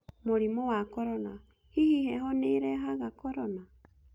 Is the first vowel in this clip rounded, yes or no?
yes